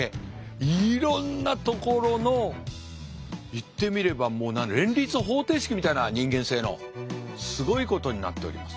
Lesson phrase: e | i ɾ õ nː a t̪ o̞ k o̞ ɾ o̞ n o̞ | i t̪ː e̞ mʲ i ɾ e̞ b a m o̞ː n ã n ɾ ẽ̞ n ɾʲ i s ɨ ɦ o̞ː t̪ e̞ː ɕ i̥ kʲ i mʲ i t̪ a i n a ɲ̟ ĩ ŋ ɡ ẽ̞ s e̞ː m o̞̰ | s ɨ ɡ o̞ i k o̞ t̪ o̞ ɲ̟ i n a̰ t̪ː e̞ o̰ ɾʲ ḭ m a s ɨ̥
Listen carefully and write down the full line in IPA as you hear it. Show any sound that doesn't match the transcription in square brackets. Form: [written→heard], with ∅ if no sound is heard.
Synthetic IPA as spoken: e | i ɾ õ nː a t̪ o̞ k o̞ ɾ o̞ n o̞ | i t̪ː e̞ mʲ i ɾ e̞ b a m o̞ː n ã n ɾ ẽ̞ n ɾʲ i [s→t͡s] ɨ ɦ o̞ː t̪ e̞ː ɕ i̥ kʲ i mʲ i t̪ a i n a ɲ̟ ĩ ŋ ɡ ẽ̞ s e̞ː [m→n] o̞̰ | s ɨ ɡ o̞ i k o̞ t̪ o̞ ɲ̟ i n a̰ t̪ː e̞ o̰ ɾʲ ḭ m a s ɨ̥